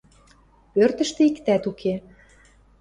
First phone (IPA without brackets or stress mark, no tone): p